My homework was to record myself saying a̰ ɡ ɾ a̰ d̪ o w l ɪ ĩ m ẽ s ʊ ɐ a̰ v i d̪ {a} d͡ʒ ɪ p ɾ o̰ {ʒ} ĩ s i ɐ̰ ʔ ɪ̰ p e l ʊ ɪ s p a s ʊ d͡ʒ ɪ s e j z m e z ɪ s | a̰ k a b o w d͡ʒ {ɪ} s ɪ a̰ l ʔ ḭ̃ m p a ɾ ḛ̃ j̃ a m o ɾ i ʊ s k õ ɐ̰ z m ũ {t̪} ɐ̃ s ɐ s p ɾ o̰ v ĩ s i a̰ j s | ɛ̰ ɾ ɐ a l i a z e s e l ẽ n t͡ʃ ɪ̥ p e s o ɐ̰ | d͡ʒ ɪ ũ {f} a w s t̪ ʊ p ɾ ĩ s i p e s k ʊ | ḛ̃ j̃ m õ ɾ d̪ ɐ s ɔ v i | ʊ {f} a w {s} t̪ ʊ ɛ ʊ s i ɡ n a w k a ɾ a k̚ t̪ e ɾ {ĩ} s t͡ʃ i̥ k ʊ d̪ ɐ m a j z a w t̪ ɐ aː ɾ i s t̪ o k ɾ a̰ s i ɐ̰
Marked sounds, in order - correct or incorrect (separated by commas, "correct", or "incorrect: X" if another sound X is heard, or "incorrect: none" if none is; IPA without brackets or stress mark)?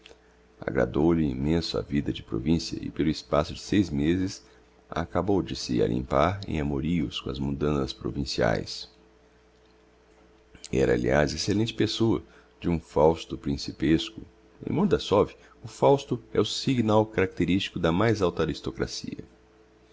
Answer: incorrect: ɐ, incorrect: v, correct, incorrect: d̪, correct, correct, correct, incorrect: i